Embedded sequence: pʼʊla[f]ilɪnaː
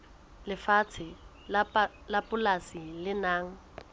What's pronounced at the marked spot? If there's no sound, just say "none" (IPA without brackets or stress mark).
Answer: s